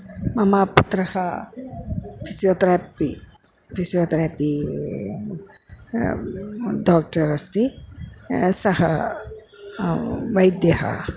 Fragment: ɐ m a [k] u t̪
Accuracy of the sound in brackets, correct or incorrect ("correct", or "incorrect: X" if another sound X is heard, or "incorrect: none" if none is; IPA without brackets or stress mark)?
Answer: incorrect: p